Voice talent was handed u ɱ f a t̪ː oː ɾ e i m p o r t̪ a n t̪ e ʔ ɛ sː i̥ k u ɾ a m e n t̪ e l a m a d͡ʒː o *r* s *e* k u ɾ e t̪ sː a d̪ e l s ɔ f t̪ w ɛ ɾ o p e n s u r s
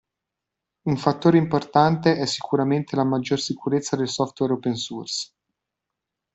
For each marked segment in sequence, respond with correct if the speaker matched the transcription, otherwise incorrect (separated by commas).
correct, incorrect